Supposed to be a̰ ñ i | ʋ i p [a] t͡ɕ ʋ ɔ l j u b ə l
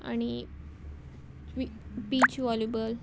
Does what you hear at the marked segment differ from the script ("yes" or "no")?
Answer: yes